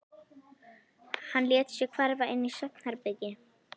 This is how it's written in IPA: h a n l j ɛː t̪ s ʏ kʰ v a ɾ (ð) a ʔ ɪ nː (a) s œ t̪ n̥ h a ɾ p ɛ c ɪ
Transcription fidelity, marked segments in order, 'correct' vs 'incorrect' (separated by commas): incorrect, incorrect